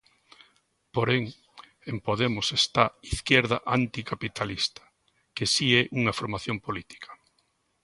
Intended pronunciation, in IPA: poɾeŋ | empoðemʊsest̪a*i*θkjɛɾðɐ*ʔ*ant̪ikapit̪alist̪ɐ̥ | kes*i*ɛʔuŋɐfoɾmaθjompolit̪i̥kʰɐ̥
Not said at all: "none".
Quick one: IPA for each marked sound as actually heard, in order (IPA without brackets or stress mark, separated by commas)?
i, ʔ, i